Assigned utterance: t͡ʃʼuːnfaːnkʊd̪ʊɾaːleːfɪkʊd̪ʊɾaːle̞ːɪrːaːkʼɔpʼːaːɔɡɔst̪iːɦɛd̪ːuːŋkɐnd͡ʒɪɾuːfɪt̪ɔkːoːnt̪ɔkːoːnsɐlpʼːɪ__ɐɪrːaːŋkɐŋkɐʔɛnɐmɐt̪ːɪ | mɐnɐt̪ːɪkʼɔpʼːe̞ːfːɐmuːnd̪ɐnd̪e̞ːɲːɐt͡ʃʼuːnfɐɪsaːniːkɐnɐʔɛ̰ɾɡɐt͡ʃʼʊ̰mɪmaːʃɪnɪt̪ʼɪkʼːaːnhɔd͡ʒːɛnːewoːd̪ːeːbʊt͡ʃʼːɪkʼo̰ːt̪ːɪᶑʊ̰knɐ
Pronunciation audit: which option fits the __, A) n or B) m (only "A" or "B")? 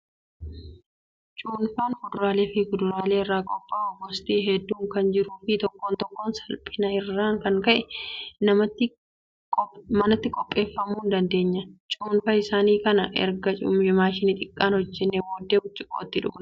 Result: A